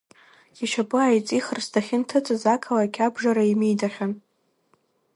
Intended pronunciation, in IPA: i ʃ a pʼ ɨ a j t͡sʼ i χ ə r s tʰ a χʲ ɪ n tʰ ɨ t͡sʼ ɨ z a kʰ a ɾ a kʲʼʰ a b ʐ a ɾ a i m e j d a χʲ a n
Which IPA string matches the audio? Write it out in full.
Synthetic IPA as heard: i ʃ a pʼ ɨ a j t͡sʼ i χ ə r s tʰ a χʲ ɪ n tʰ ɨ t͡sʼ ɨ z a kʰ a l a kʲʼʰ a b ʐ a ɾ a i m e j d a χʲ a n